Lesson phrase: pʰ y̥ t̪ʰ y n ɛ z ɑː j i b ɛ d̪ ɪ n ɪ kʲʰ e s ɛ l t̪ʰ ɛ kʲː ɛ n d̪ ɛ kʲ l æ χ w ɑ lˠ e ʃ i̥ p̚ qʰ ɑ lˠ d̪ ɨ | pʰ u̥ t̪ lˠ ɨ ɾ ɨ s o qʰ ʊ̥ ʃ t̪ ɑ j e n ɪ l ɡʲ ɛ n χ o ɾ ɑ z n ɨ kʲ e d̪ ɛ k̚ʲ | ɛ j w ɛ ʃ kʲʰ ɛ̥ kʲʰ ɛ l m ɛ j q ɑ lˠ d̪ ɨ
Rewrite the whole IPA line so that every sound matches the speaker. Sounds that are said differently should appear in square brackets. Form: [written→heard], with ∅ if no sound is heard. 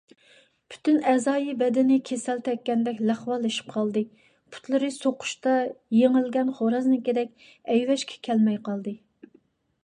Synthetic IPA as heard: pʰ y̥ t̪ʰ y n ɛ z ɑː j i b ɛ d̪ ɪ n ɪ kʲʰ e s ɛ l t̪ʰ ɛ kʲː ɛ n d̪ ɛ kʲ l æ χ w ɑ lˠ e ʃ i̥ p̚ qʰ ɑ lˠ d̪ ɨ | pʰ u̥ t̪ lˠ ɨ ɾ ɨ s o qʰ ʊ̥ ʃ t̪ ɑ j e [n→ŋ] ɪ l ɡʲ ɛ n χ o ɾ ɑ z n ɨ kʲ e d̪ ɛ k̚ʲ | ɛ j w ɛ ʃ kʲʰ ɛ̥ kʲʰ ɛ l m ɛ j q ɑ lˠ d̪ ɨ